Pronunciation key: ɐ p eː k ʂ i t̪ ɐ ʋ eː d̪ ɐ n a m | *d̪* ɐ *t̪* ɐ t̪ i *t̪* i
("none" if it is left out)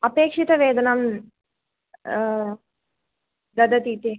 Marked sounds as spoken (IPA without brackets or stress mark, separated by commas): d̪, d̪, t̪